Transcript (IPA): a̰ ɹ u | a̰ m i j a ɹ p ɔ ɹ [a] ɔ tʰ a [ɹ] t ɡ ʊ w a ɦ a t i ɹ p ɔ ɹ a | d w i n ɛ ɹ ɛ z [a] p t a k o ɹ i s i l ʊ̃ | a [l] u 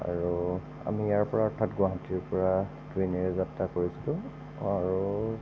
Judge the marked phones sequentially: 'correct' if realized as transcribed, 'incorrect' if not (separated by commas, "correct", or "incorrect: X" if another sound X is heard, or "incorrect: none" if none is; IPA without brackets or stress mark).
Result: correct, incorrect: none, correct, incorrect: ɹ